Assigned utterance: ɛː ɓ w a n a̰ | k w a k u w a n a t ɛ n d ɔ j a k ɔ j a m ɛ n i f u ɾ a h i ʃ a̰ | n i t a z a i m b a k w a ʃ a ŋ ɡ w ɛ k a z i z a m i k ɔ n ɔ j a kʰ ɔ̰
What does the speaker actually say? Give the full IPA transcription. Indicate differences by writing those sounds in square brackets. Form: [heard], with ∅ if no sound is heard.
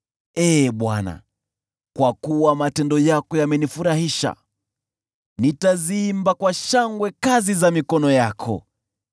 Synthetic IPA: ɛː ɓ w a n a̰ | k w a k u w a [m] a t ɛ n d ɔ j a k ɔ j a m ɛ n i f u ɾ a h i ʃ a̰ | n i t a z [i] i m b a k w a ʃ a ŋ ɡ w ɛ k a z i z a m i k ɔ n ɔ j a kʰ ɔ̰